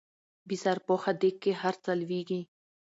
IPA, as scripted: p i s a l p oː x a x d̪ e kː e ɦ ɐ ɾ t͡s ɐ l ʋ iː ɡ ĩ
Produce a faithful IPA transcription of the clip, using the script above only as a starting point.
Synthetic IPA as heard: b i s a ɾ p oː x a d̪ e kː e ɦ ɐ ɾ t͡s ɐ l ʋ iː ɡ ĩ

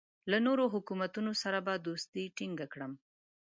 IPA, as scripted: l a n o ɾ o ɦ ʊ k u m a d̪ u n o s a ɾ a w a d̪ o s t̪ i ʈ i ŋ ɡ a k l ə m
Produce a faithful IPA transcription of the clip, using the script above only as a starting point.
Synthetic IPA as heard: l a n o ɾ o ɦ ʊ k u m a t̪ u n o s a ɾ a b a d̪ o s t̪ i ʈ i ŋ ɡ a k ɽ ə m

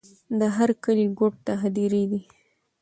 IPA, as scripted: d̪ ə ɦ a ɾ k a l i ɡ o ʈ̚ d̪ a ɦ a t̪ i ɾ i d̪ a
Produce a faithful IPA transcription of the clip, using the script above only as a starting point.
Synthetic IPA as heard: d̪ ə ɦ a ɾ k ə l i ɡ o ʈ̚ t̪ a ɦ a d̪ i ɾ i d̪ i

